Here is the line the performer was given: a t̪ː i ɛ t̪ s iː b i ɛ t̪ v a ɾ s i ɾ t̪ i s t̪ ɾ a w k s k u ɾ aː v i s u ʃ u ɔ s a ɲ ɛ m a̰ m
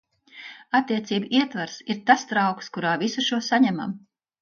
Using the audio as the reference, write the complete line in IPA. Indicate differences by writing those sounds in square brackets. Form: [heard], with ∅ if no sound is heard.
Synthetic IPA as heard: a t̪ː i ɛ t̪ s iː b i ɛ t̪ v a ɾ s i ɾ t̪ [a] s t̪ ɾ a w k s k u ɾ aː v i s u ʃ u ɔ s a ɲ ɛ m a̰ m